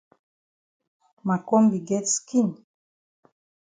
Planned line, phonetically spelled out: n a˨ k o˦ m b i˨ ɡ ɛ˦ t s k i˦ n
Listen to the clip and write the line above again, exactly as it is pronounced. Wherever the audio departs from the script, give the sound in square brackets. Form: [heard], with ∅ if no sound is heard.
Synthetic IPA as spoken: [m] a˨ k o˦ m b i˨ ɡ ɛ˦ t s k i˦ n